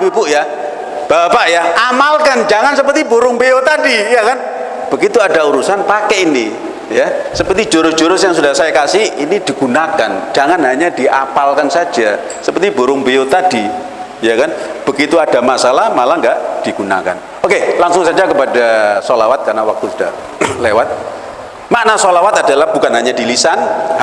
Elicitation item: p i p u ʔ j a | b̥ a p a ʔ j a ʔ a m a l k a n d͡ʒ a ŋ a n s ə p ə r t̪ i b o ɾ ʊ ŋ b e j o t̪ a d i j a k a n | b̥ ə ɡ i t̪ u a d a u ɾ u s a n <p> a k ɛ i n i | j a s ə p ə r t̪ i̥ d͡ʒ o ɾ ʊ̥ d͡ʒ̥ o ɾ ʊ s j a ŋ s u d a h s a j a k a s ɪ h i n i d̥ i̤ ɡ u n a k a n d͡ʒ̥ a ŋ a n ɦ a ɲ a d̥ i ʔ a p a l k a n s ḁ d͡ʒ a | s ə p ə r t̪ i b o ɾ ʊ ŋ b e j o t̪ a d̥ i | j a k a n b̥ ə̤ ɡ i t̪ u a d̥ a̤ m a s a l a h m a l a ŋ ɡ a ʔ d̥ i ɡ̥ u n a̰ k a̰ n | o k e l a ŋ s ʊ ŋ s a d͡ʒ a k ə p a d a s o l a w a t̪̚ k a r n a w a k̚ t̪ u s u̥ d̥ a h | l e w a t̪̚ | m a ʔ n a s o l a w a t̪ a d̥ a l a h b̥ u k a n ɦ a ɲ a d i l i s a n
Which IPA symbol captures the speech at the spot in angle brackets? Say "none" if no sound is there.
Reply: p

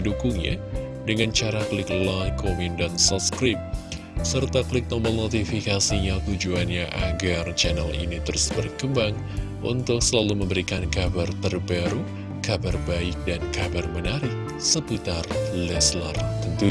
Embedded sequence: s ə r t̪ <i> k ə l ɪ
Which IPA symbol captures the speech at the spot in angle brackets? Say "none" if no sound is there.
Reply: a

